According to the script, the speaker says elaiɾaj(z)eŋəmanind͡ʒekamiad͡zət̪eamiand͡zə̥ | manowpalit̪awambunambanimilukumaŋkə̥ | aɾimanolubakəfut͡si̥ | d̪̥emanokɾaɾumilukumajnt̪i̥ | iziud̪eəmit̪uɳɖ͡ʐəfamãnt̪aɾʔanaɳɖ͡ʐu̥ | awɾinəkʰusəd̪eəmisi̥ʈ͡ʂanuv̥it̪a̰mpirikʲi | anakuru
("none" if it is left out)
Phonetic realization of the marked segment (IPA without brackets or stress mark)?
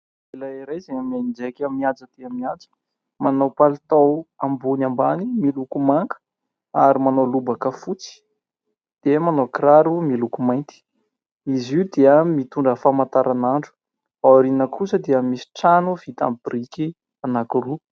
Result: z